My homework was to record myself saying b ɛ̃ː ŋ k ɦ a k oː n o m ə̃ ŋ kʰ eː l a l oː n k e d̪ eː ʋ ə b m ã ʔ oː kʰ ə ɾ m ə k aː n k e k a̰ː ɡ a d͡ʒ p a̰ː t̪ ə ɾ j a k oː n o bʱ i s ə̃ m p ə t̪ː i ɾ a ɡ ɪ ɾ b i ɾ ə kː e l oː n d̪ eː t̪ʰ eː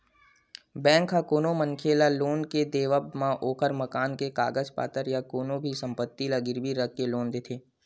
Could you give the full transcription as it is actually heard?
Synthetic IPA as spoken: b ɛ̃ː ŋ k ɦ a k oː n o m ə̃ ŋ kʰ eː l a l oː n k e d̪ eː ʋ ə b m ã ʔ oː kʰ ə ɾ m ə k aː n k e k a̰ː ɡ ə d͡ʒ p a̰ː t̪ ə ɾ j a k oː n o bʱ i s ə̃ m p ə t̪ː i l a ɡ ɪ ɾ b i ɾ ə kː e l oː n d̪ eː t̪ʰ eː